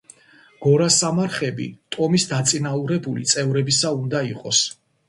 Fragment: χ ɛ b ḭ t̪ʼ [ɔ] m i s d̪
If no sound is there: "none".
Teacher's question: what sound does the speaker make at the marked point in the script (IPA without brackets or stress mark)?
ɔ